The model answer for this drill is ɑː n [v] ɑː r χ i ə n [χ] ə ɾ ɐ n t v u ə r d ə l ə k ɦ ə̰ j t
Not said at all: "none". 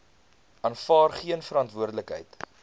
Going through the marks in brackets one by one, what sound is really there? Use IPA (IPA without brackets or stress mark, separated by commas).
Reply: f, f